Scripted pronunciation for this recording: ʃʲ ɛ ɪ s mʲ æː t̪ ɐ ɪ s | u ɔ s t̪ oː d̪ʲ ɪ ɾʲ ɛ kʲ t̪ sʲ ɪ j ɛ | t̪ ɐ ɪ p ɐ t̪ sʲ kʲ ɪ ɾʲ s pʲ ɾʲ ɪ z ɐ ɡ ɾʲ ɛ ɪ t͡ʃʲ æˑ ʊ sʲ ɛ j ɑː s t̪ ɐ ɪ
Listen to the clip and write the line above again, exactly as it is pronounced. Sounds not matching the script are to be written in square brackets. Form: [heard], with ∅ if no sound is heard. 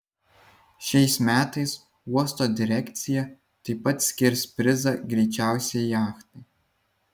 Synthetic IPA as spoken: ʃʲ ɛ ɪ s mʲ æː t̪ ɐ ɪ s | u ɔ s t̪ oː d̪ʲ ɪ ɾʲ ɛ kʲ t̪ sʲ ɪ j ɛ | t̪ ɐ ɪ p ɐ t̪ sʲ kʲ ɪ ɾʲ s pʲ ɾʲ ɪ z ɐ ɡ ɾʲ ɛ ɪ t͡ʃʲ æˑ ʊ sʲ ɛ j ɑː [x] t̪ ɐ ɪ